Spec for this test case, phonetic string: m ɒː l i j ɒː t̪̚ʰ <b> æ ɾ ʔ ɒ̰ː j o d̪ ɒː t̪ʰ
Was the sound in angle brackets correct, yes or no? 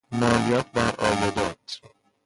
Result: yes